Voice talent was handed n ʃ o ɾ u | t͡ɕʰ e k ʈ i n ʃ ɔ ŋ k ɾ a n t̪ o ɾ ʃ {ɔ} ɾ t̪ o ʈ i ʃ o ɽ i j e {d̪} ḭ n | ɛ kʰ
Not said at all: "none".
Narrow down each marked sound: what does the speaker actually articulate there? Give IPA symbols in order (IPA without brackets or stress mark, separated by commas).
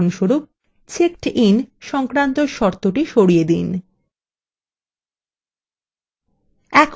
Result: ɔ, d̪